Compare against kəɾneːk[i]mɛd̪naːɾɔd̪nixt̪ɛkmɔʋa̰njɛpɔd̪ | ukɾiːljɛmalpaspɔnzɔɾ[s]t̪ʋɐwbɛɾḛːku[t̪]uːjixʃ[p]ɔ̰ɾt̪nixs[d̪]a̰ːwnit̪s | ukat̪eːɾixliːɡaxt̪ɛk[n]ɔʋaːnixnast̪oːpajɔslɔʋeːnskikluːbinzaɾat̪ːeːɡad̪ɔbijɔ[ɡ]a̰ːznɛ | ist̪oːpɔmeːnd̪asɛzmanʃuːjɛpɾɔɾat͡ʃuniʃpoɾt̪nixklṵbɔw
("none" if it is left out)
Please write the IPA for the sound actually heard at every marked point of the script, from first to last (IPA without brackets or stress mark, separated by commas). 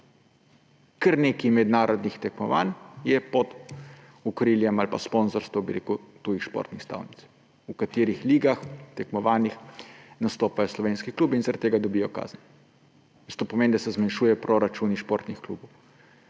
i, s, t̪, p, t̪, m, k